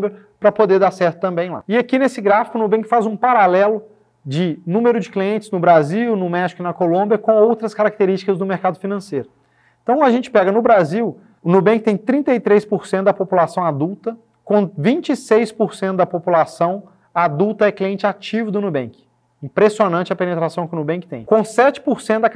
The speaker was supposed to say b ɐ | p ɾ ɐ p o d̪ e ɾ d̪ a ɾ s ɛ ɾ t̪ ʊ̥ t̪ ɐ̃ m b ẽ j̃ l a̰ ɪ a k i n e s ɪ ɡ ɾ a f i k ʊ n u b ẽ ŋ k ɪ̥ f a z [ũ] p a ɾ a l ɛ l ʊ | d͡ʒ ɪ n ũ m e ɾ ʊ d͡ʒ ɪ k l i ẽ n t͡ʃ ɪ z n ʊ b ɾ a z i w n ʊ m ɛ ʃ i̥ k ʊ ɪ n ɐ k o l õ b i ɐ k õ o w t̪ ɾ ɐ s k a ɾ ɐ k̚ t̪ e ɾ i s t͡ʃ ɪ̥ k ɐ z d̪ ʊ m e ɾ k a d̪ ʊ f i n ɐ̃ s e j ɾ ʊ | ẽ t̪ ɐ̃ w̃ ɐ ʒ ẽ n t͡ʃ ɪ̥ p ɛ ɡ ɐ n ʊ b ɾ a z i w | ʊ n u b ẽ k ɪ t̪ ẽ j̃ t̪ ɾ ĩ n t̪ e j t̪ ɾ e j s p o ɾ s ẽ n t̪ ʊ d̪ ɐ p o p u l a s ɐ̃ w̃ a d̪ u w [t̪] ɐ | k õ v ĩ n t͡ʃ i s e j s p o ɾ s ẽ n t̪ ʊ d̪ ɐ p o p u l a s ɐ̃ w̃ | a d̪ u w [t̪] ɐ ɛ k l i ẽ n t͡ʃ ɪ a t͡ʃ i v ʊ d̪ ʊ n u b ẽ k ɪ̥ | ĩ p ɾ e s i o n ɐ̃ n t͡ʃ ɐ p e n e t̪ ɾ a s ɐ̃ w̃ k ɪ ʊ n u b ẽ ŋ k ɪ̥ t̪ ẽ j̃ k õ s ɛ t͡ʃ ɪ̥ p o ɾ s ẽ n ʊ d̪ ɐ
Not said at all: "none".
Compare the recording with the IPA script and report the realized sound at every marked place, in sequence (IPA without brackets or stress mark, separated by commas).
ũ, t̪, t̪